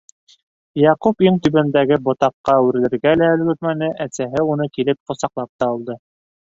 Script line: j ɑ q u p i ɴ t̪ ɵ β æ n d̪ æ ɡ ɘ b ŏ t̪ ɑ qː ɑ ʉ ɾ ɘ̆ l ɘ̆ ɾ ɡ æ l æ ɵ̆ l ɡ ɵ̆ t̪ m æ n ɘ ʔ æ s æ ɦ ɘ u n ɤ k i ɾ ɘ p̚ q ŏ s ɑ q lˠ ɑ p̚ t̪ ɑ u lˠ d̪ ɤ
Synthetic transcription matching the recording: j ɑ q u p i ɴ t̪ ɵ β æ n d̪ æ ɡ ɘ b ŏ t̪ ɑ qː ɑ ʉ ɾ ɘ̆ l ɘ̆ ɾ ɡ æ l æ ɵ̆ l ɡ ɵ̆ t̪ m æ n ɘ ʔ æ s æ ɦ ɘ u n ɤ k i l ɘ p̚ q ŏ s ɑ q lˠ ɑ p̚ t̪ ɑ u lˠ d̪ ɤ